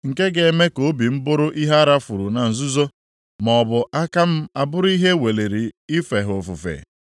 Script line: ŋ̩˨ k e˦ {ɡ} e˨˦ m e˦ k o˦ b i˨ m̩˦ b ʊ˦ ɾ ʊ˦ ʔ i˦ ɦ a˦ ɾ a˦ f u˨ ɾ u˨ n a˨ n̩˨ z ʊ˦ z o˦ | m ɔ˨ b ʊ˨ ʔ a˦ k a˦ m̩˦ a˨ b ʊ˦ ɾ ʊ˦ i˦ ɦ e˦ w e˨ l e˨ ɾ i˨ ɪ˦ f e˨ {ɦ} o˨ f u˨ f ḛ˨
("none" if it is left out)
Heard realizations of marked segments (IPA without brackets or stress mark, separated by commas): ɡ, ɦ